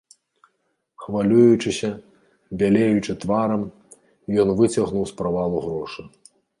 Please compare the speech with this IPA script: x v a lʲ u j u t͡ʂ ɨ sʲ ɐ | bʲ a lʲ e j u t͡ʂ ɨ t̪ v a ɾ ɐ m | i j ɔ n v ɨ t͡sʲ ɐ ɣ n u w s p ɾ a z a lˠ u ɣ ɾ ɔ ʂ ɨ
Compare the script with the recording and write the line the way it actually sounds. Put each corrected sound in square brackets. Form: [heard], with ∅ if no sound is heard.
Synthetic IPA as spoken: x v a lʲ u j u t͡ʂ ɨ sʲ ɐ | bʲ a lʲ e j u t͡ʂ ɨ t̪ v a ɾ ɐ m | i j ɔ n v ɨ t͡sʲ ɐ ɣ n u w s p ɾ a [v] a lˠ u ɣ ɾ ɔ ʂ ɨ